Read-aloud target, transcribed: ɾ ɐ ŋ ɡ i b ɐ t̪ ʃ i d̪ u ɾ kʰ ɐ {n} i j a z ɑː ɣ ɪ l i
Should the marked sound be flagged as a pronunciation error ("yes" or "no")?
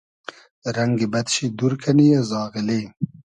no